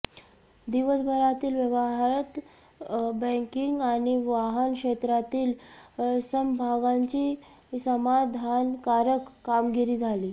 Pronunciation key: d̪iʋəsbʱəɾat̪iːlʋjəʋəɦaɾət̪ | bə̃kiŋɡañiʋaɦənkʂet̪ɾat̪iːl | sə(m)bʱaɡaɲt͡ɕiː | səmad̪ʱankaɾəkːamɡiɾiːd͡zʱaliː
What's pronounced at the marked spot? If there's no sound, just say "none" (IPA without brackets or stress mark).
m